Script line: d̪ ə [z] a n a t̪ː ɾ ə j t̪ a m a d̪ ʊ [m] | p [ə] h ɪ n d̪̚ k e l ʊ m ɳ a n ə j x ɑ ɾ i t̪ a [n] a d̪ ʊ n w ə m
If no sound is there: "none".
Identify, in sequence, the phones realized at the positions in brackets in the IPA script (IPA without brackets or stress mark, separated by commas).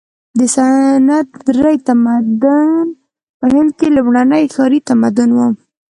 s, n, ə, m